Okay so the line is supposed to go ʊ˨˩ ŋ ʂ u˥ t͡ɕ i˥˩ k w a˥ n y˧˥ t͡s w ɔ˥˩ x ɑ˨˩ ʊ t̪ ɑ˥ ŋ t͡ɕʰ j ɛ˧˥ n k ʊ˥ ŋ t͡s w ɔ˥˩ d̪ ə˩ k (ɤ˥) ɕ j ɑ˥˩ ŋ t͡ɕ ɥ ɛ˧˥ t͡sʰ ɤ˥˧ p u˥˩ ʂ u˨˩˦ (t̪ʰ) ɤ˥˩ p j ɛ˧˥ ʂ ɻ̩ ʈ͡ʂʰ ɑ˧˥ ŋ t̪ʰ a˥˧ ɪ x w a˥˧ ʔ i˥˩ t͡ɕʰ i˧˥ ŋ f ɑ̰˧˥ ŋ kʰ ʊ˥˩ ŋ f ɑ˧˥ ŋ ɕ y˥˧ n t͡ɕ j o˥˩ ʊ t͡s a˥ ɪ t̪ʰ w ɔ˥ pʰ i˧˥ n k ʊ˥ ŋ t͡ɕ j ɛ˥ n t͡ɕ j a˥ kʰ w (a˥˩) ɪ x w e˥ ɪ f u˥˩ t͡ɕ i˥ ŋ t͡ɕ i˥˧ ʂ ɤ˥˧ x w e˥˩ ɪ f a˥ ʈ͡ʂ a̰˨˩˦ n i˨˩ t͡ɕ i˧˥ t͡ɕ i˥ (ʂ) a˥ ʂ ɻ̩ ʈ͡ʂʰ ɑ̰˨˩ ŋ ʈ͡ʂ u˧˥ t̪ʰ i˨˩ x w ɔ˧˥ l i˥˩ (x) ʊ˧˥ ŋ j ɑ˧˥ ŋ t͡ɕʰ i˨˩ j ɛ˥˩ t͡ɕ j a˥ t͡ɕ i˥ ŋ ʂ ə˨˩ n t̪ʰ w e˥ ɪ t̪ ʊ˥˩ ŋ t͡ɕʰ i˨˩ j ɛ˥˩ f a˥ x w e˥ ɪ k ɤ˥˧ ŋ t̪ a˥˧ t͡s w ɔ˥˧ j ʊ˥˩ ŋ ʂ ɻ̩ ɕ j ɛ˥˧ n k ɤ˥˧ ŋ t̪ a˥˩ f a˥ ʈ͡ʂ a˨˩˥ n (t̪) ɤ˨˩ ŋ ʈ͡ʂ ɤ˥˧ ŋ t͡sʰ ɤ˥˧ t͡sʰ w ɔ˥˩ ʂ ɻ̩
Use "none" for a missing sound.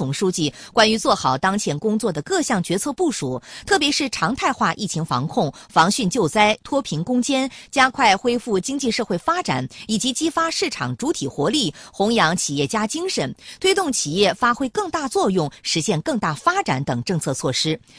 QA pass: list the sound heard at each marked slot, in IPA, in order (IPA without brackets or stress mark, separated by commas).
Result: ɤ˥˧, t̪ʰ, a˥˩, f, x, t̪